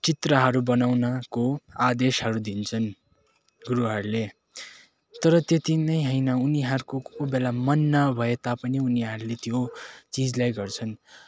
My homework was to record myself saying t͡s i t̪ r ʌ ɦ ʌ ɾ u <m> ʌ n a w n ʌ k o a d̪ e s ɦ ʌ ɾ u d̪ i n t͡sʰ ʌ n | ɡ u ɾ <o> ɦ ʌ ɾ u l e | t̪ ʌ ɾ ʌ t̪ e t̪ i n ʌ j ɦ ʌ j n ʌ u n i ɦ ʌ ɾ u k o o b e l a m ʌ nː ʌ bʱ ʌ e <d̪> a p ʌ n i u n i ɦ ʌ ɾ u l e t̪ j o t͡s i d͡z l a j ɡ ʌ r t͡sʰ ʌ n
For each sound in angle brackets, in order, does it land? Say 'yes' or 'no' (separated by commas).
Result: no, no, no